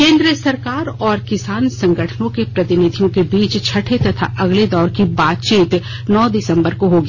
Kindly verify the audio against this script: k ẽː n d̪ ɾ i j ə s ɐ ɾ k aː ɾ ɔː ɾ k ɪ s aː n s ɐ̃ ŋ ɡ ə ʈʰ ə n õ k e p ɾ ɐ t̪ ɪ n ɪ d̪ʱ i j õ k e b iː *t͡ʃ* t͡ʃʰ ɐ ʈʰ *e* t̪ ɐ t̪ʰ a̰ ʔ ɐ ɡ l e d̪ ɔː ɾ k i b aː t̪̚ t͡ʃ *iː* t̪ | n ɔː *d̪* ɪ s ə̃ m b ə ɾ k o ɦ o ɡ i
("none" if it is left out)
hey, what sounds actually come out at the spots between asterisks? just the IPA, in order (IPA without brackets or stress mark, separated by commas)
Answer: t͡ʃ, e, iː, d̪